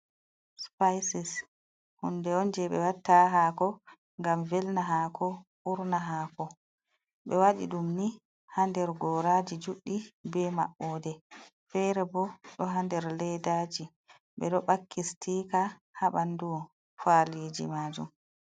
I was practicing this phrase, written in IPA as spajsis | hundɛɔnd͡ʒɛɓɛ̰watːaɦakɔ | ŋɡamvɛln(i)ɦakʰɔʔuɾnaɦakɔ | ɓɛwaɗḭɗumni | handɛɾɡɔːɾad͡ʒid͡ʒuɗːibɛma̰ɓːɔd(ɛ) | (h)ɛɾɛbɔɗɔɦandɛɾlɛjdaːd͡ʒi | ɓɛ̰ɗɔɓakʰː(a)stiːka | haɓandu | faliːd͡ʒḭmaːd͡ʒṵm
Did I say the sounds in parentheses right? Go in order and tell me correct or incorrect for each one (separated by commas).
incorrect, correct, incorrect, incorrect